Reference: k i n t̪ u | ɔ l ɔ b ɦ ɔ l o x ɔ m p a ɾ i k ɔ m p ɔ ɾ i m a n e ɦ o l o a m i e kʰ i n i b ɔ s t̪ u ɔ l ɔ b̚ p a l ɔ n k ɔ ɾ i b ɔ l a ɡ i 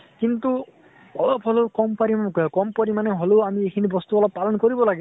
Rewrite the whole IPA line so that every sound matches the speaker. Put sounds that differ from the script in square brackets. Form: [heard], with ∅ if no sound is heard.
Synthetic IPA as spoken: k i n t̪ u | ɔ l ɔ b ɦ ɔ l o [k] ɔ m p a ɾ i k ɔ m p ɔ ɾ i m a n e ɦ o l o a m i e kʰ i n i b ɔ s t̪ u ɔ l ɔ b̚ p a l ɔ n k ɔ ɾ i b ɔ l a ɡ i

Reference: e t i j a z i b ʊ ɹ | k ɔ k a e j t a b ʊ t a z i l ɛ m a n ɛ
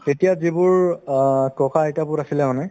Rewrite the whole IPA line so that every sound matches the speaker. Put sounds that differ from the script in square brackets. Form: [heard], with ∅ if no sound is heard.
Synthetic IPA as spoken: e t i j a z i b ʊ ɹ | k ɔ k a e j t a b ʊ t a [s] i l ɛ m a n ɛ

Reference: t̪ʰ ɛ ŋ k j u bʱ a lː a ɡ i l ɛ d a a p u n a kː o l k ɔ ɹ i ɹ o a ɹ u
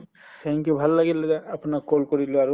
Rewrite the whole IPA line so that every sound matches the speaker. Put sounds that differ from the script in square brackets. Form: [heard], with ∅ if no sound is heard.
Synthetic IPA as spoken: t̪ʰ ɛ ŋ k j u bʱ a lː a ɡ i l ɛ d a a p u n a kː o l k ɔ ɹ i [l] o a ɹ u

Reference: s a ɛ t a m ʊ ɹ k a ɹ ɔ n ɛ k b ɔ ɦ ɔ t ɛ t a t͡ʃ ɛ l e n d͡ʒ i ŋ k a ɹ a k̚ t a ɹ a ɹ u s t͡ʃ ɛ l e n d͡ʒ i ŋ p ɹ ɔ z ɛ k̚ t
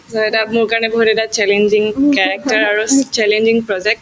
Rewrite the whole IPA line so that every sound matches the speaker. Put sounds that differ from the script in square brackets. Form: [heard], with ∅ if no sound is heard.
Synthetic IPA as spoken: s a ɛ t a m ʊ ɹ k a ɹ ɔ n ɛ [∅] b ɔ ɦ [u] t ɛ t a t͡ʃ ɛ l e n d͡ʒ i ŋ k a ɹ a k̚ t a ɹ a ɹ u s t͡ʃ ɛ l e n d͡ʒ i ŋ p ɹ ɔ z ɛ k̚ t

